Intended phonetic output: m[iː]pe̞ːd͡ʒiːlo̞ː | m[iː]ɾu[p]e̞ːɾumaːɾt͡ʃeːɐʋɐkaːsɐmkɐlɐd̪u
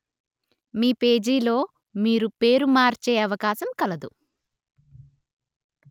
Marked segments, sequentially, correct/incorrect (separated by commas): correct, correct, correct